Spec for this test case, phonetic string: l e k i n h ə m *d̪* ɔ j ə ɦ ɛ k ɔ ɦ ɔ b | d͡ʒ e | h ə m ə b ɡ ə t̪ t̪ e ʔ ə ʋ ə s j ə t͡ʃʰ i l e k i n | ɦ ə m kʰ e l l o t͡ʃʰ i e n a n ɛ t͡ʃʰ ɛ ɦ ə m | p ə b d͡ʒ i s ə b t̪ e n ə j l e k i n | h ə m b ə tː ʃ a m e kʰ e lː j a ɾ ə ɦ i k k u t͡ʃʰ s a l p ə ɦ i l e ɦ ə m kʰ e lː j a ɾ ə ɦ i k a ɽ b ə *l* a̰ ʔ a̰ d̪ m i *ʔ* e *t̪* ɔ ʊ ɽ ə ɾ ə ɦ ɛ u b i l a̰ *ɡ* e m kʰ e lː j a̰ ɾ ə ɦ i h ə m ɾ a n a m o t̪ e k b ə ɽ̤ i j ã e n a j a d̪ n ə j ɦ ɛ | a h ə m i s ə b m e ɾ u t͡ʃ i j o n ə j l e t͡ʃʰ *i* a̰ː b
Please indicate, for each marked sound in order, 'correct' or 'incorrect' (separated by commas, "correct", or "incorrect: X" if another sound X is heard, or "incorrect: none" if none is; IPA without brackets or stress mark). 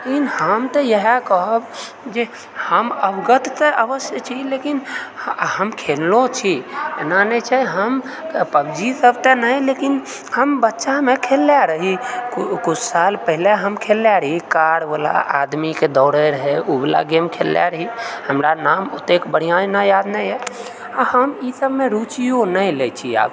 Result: incorrect: t̪, correct, incorrect: k, incorrect: d̪, correct, correct